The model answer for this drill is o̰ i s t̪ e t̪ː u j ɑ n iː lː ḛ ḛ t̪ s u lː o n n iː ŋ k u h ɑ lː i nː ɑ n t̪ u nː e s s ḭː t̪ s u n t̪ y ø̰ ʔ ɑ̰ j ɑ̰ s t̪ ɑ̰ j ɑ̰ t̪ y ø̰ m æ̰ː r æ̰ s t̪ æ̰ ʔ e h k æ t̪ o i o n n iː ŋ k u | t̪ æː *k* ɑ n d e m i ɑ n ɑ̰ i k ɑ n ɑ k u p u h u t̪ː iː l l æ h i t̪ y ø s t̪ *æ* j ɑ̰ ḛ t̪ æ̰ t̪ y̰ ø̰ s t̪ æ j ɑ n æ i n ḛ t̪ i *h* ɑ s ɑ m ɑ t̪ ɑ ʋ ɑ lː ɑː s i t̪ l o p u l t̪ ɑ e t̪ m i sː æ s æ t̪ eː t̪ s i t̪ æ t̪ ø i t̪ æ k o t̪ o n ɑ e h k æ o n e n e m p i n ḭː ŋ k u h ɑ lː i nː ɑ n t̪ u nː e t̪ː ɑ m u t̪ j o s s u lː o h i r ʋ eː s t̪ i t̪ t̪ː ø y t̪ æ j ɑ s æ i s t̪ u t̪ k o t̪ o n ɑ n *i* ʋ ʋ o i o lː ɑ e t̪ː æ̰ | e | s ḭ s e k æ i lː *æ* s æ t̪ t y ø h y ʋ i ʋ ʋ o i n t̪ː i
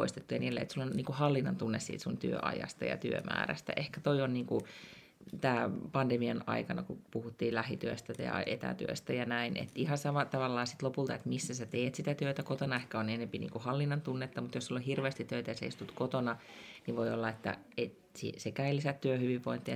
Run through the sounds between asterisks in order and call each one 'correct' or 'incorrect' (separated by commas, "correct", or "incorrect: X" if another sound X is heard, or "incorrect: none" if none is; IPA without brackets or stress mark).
incorrect: p, correct, correct, correct, incorrect: i